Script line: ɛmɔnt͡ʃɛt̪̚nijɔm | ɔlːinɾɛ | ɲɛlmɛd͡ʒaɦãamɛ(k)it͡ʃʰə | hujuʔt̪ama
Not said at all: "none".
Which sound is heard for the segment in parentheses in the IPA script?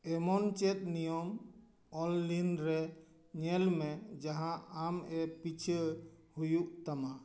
p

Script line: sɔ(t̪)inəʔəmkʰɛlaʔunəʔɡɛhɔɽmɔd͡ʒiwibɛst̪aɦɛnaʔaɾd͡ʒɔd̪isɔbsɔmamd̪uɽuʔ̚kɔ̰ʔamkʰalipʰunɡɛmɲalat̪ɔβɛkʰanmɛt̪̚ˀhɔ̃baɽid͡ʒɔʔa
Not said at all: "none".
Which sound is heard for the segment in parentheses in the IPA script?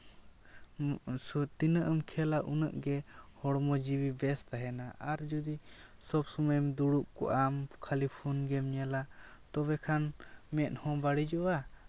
t̪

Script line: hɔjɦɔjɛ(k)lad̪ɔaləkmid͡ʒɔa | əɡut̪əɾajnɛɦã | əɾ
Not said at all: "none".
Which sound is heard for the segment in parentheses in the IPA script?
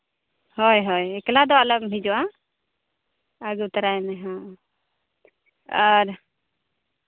k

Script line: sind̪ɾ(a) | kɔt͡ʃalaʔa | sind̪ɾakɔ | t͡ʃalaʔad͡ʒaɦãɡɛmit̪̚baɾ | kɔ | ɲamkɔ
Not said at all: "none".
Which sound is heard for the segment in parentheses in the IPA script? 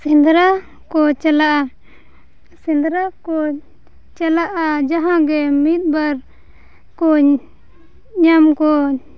a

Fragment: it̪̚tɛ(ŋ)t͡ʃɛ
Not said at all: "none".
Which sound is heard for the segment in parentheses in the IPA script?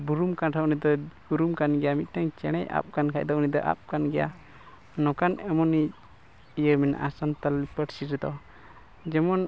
ŋ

